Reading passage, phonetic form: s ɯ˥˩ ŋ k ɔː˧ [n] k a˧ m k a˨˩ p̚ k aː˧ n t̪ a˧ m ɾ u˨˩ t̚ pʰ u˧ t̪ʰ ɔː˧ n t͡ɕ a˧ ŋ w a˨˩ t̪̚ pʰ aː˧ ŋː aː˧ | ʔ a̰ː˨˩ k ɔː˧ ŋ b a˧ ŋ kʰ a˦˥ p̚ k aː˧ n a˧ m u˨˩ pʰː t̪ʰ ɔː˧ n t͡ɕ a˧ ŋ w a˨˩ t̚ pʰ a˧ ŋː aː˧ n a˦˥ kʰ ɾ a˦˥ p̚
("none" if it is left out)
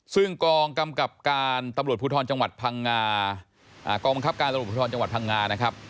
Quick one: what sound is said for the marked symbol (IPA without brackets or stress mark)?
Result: ŋ